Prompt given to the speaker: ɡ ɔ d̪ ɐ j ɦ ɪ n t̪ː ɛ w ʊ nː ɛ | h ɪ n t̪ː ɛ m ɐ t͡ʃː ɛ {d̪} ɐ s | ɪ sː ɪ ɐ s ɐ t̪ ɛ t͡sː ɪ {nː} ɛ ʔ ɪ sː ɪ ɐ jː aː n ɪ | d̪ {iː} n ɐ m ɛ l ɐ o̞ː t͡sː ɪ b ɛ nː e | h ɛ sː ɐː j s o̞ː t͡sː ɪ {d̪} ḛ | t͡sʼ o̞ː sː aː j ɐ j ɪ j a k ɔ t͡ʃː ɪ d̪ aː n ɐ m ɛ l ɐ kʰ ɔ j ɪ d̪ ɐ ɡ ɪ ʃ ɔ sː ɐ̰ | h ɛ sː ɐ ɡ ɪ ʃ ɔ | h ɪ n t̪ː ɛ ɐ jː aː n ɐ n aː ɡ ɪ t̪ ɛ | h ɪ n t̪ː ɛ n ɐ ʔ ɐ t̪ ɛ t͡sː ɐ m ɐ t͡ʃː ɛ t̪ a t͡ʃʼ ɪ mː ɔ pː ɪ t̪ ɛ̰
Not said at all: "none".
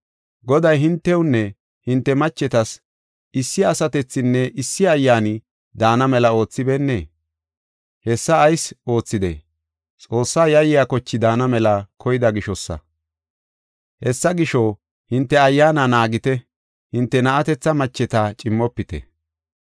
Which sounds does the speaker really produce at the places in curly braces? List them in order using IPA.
t̪, nː, aː, d̪

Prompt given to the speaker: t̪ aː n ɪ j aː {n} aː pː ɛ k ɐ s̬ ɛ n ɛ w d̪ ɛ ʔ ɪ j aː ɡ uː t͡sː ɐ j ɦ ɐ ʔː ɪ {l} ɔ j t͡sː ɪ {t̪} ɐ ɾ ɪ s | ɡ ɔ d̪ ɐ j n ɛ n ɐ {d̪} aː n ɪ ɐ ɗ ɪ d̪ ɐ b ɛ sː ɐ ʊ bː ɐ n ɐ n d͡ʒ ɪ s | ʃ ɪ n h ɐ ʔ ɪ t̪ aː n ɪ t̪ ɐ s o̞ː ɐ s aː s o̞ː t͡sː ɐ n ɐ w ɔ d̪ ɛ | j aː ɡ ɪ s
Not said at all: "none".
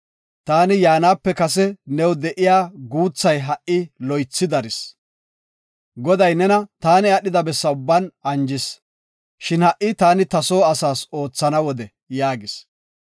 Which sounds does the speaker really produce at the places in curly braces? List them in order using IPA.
n, l, d̪, t̪

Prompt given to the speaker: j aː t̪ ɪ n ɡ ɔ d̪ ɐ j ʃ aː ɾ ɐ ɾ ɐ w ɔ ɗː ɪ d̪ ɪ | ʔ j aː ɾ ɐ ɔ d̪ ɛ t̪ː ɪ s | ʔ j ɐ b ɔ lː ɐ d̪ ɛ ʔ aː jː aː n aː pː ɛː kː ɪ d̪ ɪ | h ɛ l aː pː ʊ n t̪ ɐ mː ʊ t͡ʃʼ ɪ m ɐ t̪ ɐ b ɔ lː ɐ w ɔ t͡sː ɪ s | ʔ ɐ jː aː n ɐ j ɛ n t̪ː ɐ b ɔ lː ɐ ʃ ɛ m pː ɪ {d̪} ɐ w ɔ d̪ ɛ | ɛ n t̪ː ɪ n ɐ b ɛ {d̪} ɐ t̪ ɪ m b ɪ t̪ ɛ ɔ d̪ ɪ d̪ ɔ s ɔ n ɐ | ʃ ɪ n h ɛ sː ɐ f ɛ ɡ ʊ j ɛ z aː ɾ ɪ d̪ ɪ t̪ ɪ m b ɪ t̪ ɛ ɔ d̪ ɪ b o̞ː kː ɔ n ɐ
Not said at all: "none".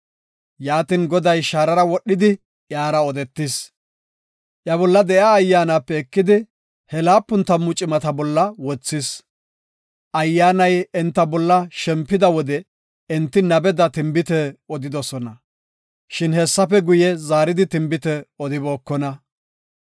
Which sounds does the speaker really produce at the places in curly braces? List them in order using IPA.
d̪, d̪

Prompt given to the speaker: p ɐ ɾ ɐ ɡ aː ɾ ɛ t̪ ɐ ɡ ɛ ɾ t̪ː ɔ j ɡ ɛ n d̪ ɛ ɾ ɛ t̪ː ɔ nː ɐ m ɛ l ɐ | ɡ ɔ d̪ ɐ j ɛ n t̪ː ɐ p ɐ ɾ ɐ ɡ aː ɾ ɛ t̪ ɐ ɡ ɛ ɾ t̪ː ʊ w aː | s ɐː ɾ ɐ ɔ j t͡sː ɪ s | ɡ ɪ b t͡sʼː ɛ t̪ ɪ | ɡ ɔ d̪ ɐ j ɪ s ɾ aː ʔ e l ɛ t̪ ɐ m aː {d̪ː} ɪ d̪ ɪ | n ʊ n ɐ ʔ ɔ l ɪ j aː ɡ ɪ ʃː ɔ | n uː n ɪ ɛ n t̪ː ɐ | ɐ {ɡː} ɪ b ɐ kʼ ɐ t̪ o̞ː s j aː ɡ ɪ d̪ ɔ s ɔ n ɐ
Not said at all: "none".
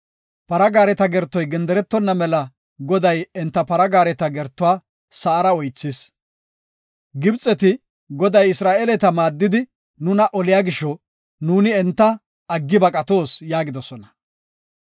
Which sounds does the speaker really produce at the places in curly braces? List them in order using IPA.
d̪ː, ɡː

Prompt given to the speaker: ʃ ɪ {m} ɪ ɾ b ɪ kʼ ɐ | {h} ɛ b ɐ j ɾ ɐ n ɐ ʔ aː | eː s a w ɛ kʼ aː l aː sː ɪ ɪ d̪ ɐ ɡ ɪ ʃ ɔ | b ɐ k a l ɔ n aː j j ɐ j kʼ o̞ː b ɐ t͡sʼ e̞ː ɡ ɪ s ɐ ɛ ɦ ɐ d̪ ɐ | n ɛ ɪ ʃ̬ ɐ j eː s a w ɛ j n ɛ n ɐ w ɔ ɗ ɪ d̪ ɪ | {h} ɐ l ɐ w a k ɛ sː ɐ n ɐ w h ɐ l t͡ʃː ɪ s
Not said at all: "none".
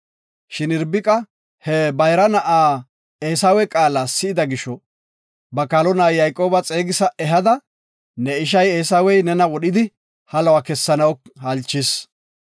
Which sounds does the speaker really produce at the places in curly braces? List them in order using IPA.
n, h, h

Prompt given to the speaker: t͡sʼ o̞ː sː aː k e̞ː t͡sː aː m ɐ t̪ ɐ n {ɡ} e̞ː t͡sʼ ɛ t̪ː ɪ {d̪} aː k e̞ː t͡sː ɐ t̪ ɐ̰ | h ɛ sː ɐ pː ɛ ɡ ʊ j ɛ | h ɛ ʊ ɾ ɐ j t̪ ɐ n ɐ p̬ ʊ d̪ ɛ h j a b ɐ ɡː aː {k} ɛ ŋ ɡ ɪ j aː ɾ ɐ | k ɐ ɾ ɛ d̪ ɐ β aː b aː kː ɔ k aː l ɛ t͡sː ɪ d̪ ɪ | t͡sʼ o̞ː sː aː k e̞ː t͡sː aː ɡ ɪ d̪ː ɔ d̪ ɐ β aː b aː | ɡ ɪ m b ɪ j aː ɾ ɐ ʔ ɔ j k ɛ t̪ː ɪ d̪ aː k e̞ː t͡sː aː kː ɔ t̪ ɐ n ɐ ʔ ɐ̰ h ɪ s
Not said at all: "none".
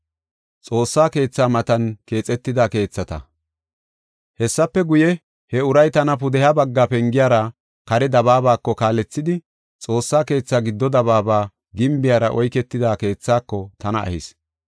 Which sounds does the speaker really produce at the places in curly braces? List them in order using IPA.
k, d̪, p

